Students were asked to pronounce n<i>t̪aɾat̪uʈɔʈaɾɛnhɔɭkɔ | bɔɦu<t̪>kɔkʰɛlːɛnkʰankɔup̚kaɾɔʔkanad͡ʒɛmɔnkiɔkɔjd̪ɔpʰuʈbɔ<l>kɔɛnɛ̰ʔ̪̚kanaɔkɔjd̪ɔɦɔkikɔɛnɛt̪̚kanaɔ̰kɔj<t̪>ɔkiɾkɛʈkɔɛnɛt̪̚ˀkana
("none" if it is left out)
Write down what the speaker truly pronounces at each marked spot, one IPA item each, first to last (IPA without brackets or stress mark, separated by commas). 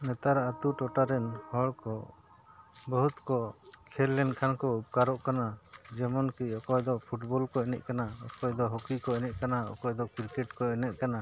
ɛ, t̪, l, d̪